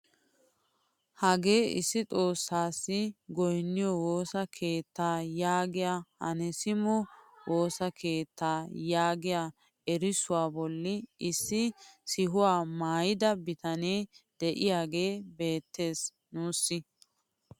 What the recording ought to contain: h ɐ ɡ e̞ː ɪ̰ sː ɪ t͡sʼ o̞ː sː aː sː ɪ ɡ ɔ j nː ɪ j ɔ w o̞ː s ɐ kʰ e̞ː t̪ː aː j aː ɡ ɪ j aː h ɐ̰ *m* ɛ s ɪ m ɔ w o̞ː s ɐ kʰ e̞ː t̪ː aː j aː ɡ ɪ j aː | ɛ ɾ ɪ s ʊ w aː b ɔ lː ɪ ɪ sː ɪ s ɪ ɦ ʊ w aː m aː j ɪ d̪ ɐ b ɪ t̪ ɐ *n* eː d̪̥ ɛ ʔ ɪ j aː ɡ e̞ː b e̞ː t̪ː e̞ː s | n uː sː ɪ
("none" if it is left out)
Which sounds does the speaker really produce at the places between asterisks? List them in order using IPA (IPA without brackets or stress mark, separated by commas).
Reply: n, n